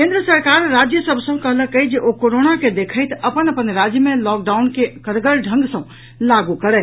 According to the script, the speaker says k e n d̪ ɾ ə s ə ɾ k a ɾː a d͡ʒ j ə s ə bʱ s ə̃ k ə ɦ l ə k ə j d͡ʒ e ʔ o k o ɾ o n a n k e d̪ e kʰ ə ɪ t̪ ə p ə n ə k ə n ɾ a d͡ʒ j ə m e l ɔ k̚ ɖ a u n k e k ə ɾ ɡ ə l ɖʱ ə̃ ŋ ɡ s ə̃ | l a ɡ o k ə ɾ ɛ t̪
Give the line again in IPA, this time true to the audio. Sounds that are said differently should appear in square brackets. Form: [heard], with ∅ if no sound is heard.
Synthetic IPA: k e n d̪ ɾ ə s ə ɾ k a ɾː a d͡ʒ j ə s ə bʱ s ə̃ k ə ɦ l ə k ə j d͡ʒ e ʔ o k o ɾ o n a [∅] k e d̪ e kʰ ə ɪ t̪ ə p ə n ə [p] ə n ɾ a d͡ʒ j ə m e l ɔ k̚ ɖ a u n k e k ə ɾ ɡ ə l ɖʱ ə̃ ŋ ɡ s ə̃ | l a ɡ [u] k ə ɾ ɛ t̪